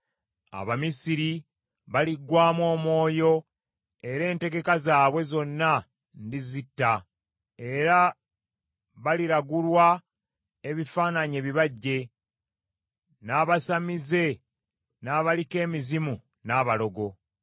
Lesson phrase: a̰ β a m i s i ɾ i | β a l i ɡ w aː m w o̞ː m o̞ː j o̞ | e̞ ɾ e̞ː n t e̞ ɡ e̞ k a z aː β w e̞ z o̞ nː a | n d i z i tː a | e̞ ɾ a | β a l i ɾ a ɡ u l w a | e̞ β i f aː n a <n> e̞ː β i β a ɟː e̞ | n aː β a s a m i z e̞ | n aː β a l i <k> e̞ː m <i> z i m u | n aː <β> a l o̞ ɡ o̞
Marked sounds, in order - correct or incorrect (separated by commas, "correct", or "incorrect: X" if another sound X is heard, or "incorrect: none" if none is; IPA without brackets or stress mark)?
incorrect: ɲ, correct, correct, correct